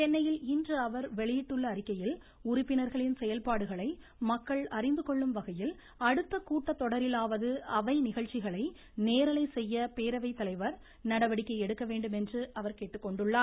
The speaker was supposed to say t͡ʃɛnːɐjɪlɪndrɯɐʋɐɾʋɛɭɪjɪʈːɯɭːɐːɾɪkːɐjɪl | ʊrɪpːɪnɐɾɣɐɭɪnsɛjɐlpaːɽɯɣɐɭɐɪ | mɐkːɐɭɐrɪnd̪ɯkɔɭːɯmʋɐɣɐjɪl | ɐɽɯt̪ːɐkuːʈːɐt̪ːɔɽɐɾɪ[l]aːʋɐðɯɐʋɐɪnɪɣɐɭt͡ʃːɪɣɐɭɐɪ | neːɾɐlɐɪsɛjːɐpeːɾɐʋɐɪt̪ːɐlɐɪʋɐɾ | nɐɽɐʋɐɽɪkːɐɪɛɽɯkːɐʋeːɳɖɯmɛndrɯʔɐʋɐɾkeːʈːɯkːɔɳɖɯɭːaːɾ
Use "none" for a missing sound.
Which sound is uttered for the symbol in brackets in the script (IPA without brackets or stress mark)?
l